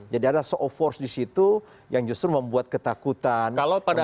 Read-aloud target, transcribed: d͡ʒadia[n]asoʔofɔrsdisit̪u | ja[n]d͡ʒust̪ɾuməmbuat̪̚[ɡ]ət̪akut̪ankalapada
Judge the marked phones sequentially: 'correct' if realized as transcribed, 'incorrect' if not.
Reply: incorrect: d, incorrect: ŋ, incorrect: k

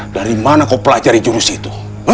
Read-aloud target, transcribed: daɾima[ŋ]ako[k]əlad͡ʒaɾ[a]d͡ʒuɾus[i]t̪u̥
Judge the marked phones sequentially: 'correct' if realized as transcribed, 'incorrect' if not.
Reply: incorrect: n, incorrect: p, incorrect: i, correct

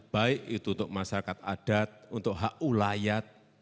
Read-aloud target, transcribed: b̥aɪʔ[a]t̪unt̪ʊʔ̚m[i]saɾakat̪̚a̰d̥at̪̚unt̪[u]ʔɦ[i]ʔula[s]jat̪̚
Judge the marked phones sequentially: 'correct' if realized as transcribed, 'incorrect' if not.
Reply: incorrect: i, incorrect: a, incorrect: ʊ, incorrect: a, incorrect: none

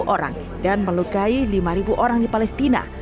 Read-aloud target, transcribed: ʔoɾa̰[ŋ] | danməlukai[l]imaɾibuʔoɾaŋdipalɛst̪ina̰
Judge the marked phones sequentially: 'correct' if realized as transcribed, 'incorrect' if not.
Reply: correct, correct

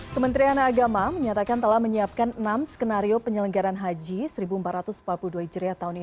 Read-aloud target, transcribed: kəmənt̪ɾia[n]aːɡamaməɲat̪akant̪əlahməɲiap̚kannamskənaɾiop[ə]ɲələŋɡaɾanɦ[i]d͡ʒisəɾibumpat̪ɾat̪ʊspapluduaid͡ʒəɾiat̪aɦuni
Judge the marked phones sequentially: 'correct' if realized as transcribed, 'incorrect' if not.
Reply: correct, correct, incorrect: a

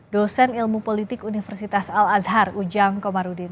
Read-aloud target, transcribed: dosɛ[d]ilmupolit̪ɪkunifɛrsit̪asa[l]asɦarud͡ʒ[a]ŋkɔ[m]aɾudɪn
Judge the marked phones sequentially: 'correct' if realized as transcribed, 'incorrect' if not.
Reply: incorrect: n, correct, correct, correct

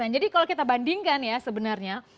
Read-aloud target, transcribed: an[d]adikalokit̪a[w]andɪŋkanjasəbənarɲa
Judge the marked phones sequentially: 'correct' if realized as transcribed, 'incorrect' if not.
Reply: incorrect: d͡ʒ, incorrect: b

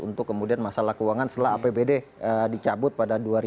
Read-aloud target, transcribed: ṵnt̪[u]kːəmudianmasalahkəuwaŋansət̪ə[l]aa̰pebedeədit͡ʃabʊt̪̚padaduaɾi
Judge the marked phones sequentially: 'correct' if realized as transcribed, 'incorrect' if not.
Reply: incorrect: ʊ, correct

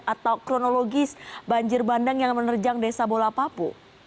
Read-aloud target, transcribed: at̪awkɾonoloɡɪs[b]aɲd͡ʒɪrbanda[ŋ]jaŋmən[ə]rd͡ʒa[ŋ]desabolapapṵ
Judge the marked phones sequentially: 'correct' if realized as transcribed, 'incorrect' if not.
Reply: correct, correct, correct, correct

